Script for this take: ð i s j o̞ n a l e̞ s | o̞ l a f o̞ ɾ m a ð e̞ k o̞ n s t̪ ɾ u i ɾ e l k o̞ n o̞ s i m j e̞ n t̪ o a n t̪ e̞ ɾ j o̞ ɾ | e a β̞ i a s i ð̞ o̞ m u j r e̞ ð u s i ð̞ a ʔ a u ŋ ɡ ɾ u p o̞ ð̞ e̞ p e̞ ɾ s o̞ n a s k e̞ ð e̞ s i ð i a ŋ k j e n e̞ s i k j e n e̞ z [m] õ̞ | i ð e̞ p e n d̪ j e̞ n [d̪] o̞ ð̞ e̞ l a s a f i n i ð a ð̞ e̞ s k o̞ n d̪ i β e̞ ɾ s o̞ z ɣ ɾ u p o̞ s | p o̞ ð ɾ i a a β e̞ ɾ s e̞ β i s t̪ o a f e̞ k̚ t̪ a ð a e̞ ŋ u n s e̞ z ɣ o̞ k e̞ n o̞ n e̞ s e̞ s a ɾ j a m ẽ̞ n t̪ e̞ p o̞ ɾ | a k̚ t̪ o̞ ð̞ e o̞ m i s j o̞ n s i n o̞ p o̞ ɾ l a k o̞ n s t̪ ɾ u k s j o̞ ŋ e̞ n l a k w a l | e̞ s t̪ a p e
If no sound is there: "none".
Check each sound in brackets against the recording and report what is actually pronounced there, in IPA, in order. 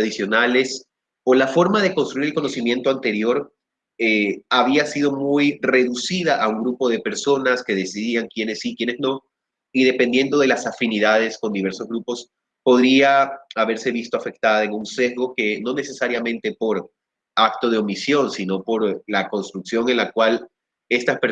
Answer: n, d̪

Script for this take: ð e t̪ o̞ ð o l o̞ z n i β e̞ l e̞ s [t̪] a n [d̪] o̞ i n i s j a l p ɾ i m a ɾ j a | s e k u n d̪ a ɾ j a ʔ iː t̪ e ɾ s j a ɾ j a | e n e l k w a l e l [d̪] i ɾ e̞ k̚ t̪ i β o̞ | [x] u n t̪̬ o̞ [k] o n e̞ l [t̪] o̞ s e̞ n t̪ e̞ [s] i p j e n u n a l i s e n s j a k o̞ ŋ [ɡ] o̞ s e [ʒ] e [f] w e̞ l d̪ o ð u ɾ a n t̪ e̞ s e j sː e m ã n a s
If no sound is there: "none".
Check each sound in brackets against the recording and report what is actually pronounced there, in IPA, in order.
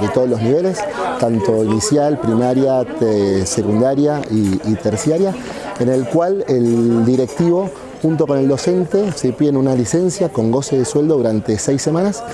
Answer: t̪, t̪, d̪, x, k, d̪, s, ɡ, ð, s

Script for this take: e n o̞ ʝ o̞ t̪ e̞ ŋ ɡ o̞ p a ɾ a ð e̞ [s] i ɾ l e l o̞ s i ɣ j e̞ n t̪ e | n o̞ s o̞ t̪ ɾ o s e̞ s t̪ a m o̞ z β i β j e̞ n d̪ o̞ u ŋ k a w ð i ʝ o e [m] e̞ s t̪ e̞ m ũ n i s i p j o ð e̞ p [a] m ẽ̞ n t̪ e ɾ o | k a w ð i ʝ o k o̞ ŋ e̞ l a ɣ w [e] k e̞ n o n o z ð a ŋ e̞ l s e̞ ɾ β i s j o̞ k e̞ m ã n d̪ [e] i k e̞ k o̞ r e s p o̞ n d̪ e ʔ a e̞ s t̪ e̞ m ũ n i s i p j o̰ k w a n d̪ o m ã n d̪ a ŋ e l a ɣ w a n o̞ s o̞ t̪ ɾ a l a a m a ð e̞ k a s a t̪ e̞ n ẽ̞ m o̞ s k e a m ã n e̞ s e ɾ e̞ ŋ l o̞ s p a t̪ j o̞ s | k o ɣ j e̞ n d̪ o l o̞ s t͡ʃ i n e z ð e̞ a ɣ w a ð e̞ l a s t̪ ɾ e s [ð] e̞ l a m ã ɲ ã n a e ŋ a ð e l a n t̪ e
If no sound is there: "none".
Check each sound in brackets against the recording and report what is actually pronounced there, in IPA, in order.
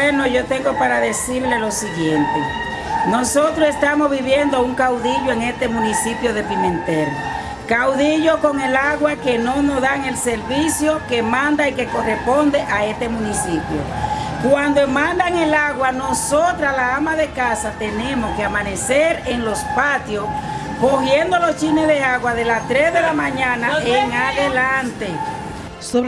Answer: s, ŋ, i, a, a, ð

